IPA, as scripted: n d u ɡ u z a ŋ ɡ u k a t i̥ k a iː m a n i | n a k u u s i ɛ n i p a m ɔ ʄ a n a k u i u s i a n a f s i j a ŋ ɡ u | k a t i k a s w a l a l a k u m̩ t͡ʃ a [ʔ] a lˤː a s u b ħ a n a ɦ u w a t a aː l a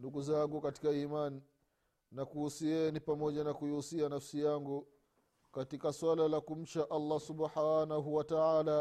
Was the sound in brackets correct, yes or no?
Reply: yes